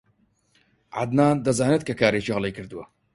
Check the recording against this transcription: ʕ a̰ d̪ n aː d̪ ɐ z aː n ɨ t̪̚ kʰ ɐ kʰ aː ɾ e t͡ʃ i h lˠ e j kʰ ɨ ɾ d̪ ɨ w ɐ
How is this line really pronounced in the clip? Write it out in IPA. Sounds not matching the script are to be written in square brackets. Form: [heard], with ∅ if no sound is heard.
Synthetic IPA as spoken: ʕ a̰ d̪ n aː d̪ ɐ z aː n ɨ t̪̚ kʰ ɐ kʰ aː ɾ e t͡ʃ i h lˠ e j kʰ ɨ ɾ d̪ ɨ w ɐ